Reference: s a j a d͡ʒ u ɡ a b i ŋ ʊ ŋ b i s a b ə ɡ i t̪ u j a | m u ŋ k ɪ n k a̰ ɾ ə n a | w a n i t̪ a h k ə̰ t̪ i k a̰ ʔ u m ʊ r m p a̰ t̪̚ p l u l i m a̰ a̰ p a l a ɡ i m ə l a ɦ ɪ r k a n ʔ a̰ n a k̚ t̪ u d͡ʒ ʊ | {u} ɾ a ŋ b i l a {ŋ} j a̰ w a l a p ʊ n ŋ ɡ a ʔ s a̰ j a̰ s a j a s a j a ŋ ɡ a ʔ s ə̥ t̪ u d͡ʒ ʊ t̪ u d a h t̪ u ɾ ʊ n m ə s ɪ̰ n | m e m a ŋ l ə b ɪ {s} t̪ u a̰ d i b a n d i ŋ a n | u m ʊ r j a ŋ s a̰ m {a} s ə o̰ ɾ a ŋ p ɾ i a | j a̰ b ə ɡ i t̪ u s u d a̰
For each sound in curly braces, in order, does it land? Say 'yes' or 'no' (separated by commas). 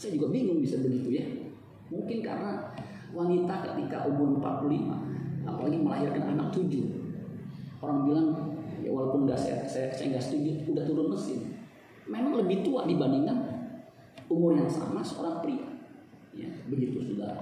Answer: no, yes, no, yes